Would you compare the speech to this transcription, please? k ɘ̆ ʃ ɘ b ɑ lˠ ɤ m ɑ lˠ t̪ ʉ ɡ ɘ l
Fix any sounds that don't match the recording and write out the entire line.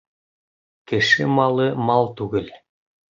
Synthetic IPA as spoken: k ɘ̆ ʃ ɘ m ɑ lˠ ɤ m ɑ lˠ t̪ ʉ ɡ ɘ l